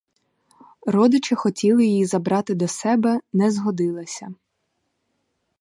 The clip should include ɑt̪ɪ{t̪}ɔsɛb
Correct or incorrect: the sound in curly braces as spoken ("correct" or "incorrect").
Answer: incorrect